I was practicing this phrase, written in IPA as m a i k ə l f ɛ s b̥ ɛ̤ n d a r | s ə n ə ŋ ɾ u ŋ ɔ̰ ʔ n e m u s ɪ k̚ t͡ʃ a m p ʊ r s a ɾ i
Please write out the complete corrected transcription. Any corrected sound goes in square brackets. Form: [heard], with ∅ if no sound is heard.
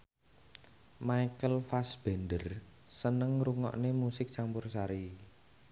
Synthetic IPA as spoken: m a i k ə l f [a] s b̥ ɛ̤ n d [ə] r | s ə n ə ŋ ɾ u ŋ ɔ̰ ʔ n e m u s ɪ k̚ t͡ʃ a m p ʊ r s a ɾ i